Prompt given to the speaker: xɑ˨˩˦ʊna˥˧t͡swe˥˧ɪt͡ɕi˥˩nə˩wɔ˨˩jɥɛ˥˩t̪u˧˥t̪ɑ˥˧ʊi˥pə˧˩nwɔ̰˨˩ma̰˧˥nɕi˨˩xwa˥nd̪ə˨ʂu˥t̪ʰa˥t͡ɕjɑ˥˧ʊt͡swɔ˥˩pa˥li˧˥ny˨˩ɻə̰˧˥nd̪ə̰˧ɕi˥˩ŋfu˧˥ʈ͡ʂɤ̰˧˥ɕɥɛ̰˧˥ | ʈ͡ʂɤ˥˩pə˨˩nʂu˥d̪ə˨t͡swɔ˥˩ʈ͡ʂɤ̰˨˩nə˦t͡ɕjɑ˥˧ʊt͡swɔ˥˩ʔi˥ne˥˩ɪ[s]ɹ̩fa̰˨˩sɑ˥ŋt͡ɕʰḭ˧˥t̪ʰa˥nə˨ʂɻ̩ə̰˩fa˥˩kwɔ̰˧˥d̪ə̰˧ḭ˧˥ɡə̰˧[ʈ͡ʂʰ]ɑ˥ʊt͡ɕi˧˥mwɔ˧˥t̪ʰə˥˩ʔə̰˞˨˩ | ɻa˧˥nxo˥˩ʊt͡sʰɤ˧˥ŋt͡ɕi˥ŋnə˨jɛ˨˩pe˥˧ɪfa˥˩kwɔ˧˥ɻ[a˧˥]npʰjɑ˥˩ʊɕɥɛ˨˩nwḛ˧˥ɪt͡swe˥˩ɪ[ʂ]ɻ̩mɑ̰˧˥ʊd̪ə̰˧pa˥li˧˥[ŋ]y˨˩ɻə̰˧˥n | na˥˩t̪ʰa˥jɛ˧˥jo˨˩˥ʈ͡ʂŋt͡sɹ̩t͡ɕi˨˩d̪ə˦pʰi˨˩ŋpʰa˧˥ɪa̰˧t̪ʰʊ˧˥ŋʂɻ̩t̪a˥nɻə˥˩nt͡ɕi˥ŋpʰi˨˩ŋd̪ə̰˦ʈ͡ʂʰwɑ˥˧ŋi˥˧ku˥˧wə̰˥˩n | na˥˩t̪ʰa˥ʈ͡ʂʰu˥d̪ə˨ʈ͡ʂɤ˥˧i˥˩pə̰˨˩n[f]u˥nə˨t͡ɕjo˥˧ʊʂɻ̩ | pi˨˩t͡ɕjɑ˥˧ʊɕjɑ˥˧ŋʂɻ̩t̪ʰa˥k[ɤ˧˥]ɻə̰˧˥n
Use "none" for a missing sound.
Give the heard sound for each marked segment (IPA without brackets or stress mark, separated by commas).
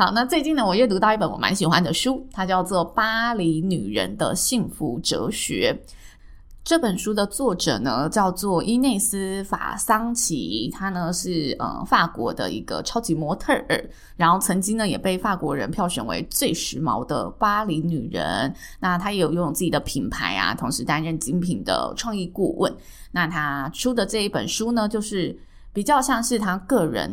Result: s, ʈ͡ʂʰ, ə˧˥, ʂ, n, ʂ, ɤ˥˩